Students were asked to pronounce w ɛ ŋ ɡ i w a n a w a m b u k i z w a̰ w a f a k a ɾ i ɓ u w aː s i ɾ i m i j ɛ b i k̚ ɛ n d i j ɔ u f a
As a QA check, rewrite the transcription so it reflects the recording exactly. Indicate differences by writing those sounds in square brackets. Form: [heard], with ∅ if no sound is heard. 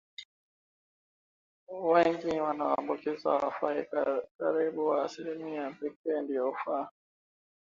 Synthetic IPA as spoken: w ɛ ŋ ɡ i w a n a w a m b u k i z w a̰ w a f a k a ɾ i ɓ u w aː s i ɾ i m i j [a] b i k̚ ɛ n d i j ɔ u f a